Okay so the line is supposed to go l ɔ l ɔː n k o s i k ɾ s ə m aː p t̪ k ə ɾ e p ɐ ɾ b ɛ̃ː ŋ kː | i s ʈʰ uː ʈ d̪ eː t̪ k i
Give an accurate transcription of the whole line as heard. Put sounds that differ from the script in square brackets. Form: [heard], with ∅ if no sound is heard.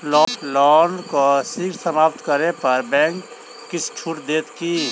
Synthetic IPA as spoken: l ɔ l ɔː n k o s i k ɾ s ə m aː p t̪ k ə ɾ e p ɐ ɾ b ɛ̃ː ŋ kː | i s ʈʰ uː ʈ d̪ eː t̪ k i